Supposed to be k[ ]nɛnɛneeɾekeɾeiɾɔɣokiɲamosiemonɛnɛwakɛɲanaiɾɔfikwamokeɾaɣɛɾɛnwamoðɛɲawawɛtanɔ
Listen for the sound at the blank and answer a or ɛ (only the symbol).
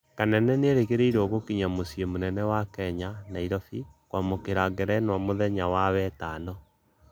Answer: a